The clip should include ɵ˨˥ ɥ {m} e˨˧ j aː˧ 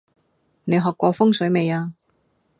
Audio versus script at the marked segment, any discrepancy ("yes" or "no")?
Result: no